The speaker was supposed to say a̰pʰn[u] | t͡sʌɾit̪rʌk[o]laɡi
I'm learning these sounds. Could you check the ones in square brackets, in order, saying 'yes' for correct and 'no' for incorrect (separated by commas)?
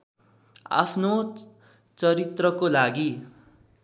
no, yes